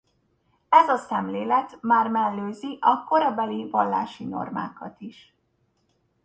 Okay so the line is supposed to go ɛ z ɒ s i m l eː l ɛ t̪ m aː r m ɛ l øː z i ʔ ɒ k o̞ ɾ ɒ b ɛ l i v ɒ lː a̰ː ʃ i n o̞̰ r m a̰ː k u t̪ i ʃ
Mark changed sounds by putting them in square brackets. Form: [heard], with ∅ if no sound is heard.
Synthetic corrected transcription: ɛ z ɒ s [ɛ] m l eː l ɛ t̪ m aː r m ɛ [lː] øː z i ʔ ɒ k o̞ ɾ ɒ b ɛ l i v ɒ lː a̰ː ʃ i n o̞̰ r m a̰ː k [ɒ] t̪ i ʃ